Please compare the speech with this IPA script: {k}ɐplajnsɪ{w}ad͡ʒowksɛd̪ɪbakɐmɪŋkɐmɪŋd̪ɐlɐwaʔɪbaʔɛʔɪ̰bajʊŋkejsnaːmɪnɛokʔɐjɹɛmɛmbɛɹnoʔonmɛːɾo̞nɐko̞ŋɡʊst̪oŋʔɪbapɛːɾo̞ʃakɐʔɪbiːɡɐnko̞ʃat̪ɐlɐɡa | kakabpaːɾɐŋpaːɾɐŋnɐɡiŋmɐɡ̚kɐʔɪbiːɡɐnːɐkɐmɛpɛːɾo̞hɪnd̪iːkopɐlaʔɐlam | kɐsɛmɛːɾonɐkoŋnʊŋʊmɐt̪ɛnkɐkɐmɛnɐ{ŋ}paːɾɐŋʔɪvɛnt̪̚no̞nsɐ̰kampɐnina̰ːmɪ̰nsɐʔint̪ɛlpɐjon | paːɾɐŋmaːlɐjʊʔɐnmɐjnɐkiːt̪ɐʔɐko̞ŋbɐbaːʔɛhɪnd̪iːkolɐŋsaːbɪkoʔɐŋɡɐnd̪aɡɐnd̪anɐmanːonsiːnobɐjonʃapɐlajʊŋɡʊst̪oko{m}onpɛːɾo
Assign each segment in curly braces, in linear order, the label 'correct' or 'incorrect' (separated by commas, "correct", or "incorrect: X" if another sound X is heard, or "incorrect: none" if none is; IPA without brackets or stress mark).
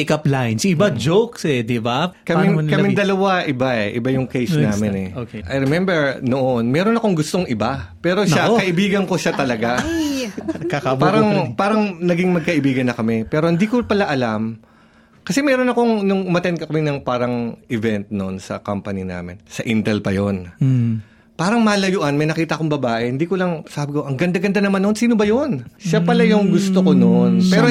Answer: correct, incorrect: b, correct, incorrect: n